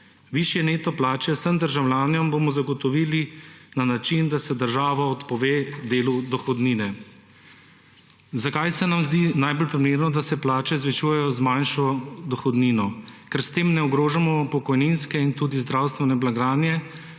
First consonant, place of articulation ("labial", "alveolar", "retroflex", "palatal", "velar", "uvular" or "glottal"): labial